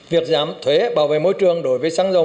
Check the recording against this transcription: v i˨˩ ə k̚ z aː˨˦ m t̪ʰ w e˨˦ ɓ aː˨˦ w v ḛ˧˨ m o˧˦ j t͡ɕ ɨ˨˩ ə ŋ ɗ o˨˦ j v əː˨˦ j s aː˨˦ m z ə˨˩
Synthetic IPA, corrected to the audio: v i˨˩ ə k̚ z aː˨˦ m t̪ʰ w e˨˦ ɓ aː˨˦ w v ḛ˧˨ m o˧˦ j t͡ɕ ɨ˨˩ ə ŋ ɗ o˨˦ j v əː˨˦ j s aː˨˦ ŋ z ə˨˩